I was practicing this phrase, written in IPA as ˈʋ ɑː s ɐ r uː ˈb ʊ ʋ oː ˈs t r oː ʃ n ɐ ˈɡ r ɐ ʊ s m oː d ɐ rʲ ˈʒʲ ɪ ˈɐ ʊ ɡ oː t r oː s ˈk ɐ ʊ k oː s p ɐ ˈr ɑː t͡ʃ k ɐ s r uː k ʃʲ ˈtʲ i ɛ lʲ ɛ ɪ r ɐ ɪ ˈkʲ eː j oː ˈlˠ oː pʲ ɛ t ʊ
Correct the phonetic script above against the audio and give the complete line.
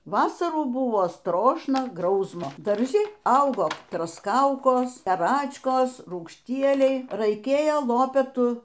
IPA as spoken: ˈʋ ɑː s ɐ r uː ˈb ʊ ʋ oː ˈs t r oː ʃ n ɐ ˈɡ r ɐ ʊ s m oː d ɐ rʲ ˈʒʲ ɪ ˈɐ ʊ ɡ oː t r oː s ˈk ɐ ʊ k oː s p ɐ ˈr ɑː t͡ʃ k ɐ s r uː k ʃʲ ˈtʲ i ɛ lʲ ɛ ɪ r ɐ ɪ ˈkʲ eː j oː ˈlˠ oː pʲ ɛ t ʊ